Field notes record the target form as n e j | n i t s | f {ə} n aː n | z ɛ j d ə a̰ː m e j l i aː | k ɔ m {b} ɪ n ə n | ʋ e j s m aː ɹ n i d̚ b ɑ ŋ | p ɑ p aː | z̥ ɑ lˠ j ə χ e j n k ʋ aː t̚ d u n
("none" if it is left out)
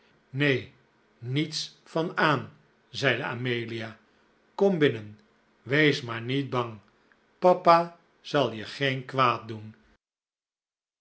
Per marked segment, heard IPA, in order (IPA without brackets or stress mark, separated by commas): ɑ, b